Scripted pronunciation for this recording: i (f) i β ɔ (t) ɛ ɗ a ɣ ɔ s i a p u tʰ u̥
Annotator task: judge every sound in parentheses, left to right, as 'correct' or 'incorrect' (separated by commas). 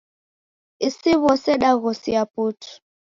incorrect, incorrect